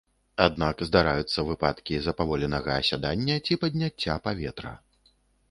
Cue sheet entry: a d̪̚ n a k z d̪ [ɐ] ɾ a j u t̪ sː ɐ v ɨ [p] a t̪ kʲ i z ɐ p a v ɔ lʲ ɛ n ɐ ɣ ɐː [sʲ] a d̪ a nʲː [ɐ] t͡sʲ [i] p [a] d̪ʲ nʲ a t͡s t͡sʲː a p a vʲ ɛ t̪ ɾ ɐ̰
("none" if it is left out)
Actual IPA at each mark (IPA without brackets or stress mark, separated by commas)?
a, p, sʲ, ɐ, i, ɐ